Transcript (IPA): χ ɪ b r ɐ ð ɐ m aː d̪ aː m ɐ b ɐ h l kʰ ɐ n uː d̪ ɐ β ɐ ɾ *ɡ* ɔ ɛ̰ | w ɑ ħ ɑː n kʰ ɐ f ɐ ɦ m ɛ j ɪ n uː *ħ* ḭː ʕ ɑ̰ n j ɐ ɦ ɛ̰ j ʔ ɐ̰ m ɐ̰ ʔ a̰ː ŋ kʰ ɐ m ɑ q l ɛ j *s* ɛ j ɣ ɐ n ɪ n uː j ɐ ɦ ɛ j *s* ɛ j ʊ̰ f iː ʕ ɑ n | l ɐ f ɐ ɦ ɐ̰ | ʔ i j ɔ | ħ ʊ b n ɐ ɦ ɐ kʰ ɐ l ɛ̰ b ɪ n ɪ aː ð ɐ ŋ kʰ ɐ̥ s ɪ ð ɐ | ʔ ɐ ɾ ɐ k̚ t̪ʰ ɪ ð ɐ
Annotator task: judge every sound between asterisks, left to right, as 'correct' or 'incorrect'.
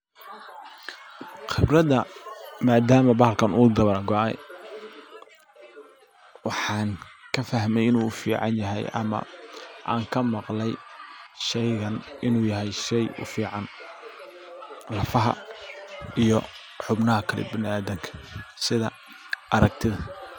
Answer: correct, incorrect: f, incorrect: ʃ, incorrect: ʃ

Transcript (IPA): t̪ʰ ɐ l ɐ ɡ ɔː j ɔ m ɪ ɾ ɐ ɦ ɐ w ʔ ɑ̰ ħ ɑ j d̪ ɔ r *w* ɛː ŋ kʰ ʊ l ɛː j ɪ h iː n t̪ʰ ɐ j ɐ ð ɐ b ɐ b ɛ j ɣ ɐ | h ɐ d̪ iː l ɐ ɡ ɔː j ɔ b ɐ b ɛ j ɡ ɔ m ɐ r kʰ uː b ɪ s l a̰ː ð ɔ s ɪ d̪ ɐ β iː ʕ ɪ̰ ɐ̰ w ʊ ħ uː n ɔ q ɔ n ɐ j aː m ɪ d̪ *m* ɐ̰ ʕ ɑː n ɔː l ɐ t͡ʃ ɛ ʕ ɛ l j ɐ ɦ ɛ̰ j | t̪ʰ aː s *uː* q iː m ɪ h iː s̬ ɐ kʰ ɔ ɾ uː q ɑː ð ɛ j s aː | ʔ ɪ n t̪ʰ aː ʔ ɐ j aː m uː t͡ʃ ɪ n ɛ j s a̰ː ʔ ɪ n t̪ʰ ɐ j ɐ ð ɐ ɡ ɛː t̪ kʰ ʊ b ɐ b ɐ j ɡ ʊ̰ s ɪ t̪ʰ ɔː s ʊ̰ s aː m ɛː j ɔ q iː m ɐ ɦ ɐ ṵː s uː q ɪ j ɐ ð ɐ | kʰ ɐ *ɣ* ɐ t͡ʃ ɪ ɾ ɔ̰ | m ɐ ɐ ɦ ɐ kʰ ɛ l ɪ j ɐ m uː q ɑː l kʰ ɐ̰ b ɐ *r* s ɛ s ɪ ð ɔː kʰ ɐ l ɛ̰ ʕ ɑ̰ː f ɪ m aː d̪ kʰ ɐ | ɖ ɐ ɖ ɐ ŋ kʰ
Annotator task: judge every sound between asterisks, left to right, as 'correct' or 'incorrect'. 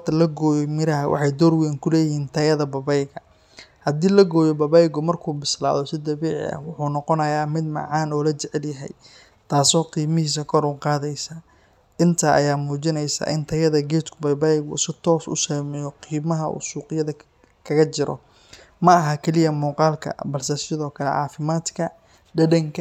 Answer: correct, correct, incorrect: ɔː, correct, incorrect: l

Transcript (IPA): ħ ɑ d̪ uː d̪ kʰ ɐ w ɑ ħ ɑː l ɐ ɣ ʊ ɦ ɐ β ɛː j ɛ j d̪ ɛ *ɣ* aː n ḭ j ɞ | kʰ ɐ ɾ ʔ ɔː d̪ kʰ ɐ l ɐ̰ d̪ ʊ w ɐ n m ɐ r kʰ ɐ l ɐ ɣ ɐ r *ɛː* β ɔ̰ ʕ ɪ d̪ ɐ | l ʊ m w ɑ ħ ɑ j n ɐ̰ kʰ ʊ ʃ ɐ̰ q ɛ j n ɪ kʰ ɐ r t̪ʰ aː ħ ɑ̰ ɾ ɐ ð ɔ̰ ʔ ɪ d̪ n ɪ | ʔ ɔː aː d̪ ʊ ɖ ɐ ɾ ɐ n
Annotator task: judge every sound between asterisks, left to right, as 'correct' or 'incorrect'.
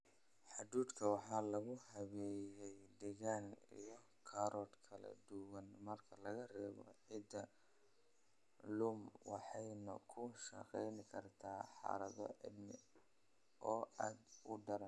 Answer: correct, correct

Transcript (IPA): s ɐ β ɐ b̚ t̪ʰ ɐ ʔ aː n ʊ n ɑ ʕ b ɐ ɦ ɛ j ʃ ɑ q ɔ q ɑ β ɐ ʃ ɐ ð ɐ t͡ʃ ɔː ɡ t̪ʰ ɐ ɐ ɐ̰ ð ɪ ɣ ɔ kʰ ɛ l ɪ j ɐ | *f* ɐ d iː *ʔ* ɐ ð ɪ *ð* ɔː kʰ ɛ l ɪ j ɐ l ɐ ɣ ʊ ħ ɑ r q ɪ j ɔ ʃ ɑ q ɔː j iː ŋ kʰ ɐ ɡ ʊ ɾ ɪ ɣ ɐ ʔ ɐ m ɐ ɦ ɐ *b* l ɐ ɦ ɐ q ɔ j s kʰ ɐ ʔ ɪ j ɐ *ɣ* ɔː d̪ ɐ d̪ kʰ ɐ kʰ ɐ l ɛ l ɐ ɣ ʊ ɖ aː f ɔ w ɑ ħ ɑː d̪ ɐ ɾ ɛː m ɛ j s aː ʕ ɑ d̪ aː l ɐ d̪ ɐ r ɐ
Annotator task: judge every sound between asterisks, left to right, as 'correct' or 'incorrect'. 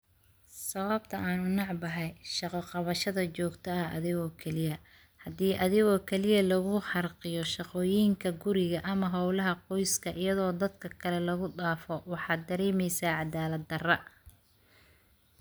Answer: incorrect: h, correct, incorrect: ɣ, incorrect: w, incorrect: ð

